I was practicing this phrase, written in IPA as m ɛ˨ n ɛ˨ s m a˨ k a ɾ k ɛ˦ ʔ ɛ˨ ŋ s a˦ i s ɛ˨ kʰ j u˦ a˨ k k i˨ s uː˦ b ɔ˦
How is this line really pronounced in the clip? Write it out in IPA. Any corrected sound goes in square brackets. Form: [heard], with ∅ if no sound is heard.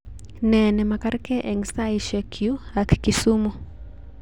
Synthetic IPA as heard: [n] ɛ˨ n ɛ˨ [∅] m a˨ k a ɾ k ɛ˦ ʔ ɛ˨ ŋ s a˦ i [ʃ] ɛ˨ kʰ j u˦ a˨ k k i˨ s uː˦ [m] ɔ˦